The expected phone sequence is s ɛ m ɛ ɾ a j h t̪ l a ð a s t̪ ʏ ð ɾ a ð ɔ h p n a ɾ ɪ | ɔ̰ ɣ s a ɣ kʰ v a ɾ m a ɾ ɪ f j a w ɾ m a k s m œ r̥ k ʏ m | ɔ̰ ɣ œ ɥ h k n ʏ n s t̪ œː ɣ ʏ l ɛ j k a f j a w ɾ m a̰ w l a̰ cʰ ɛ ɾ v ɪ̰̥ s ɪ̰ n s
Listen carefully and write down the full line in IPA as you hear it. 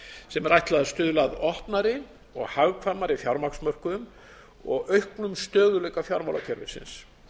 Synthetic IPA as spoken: s ɛ m ɛ ɾ a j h t̪ l a ð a s t̪ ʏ ð l a ð ɔ h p n a ɾ ɪ | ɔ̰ ɣ h a ɣ kʰ v a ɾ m a ɾ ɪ f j a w ɾ m a k s m œ r̥ k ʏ m | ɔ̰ ɣ œ ɥ h k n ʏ m s t̪ œː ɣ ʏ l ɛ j k a f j a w ɾ m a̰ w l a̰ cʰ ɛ ɾ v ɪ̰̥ s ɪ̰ n s

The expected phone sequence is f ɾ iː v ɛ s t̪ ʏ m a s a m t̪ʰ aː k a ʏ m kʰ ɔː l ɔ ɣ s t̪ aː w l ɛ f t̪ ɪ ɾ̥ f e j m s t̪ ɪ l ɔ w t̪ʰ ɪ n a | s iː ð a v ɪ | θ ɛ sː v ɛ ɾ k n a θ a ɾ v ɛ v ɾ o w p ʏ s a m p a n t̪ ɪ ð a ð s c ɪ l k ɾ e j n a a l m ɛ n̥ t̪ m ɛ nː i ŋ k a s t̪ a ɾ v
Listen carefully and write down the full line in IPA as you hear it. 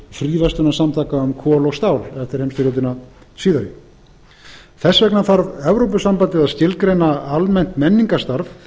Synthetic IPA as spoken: f ɾ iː v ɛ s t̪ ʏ n a s a m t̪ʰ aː k a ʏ m kʰ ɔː l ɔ ɣ s t̪ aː w l ɛ f t̪ ɪ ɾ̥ h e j m s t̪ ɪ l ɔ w t̪ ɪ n a | s iː ð a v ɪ | θ ɛ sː v ɛ k n a θ a ɾ v ɛ v ɾ o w p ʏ s a m p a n t̪ ɪ ð a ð s c ɪ l k ɾ e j n a a l m ɛ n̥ t̪ m ɛ nː i ŋ k a s t̪ a ɾ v

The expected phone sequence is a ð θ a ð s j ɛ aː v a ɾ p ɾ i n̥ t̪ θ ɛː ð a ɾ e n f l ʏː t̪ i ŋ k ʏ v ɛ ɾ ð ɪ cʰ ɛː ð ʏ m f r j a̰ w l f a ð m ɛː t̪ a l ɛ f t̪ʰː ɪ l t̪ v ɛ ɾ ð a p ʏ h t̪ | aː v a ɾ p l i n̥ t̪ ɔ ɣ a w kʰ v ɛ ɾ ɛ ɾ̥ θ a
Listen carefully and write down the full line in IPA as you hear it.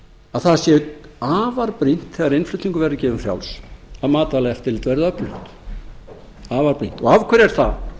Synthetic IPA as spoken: a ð θ a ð s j ɛ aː v a ɾ p ɾ i n̥ t̪ θ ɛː ɣ a ɾ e n f l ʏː t̪ i ŋ k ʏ v ɛ ɾ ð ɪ c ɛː v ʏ m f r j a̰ w l s a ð m aː t̪ a l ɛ f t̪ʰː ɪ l t̪ v ɛ ɾ ð a p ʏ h t̪ | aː v a ɾ p ɾ i n̥ t̪ ɔ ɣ a v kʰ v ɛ ɾ ɛ ɾ̥ θ a

